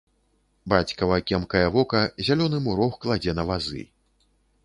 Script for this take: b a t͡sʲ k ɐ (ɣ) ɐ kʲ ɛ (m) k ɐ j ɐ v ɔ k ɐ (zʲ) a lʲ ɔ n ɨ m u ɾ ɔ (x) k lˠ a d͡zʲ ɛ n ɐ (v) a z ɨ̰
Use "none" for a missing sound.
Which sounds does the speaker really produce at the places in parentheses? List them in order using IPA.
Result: v, m, zʲ, x, v

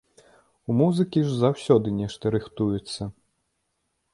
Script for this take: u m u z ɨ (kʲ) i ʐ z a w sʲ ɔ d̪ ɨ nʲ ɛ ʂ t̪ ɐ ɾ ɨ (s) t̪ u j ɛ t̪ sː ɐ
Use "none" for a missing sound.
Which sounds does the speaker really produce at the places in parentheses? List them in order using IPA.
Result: kʲ, x

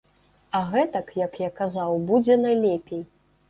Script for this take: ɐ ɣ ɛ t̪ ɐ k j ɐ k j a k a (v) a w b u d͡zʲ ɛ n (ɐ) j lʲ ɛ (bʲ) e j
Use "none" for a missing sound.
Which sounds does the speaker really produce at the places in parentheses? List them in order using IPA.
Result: z, a, pʲ

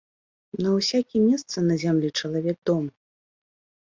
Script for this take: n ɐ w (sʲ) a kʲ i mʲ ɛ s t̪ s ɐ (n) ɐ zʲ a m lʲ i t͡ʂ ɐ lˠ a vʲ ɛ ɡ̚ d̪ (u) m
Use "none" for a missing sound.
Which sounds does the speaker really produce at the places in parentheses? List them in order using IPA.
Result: sʲ, n, ɔ

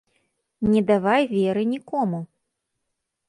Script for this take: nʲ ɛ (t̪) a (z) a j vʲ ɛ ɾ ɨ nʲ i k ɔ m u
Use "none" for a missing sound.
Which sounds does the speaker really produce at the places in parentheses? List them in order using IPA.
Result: d̪, v

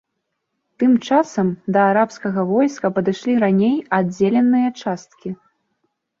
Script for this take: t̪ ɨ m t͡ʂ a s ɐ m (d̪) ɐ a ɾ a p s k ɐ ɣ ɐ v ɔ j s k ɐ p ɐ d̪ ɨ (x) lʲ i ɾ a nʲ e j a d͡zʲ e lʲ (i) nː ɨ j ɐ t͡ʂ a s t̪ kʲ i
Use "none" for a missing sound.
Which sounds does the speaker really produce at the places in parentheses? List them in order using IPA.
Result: d̪, ʂ, ɛ

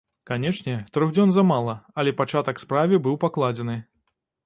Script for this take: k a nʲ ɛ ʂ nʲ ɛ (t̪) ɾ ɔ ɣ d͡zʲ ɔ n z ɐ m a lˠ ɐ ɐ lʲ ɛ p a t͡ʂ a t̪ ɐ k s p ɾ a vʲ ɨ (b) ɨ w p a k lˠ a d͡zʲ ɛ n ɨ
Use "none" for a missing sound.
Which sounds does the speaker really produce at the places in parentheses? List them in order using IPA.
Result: t̪, b

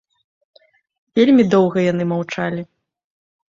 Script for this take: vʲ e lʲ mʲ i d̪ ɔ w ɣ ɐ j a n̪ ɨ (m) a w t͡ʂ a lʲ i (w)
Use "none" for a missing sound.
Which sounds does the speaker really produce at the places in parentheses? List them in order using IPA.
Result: m, none

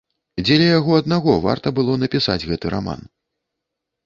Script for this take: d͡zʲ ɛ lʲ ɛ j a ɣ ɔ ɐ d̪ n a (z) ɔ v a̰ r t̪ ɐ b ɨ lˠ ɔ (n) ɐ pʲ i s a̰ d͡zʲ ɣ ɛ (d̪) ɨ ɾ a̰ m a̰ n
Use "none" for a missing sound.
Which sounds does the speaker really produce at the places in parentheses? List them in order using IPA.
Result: ɣ, n, t̪

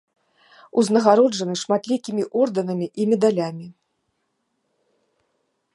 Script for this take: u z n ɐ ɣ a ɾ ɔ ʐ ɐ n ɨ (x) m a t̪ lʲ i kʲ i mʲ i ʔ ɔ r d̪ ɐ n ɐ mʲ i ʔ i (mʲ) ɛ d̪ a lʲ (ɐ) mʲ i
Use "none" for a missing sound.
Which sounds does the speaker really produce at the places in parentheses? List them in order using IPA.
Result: ʂ, mʲ, a

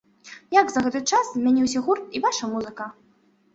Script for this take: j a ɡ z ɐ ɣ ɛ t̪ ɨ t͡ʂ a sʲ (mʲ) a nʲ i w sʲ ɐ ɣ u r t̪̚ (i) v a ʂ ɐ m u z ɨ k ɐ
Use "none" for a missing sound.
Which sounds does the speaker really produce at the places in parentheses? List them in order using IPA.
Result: mʲ, i

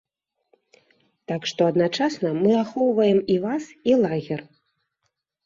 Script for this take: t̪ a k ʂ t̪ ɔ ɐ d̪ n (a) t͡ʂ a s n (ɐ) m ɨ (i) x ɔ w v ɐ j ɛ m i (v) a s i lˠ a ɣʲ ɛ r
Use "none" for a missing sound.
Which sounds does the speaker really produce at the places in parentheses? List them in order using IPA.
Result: a, ɐ, a, v

